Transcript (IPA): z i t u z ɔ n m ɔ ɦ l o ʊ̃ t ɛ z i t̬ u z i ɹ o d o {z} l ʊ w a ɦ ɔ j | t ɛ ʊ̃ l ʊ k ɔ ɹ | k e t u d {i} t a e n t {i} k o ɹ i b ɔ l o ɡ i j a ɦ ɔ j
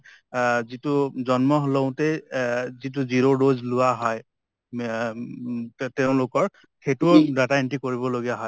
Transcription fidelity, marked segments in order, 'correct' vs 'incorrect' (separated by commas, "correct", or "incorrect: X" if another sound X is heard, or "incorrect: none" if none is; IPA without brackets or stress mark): correct, incorrect: a, correct